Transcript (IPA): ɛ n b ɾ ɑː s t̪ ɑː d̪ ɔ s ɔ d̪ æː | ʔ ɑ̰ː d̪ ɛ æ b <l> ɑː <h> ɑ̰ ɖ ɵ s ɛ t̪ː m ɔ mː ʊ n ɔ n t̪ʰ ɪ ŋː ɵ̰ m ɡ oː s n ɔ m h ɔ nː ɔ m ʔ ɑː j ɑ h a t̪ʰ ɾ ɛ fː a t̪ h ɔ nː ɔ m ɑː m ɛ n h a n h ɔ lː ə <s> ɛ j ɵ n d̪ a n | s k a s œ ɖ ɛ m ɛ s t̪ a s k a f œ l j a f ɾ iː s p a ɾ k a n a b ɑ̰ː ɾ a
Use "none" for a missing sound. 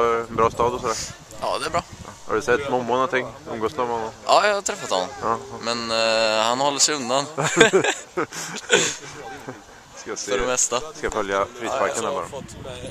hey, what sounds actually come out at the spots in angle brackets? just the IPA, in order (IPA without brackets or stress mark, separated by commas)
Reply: ɾ, h, ʂ